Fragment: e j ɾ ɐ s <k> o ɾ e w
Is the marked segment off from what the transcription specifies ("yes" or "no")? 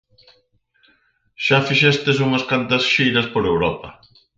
yes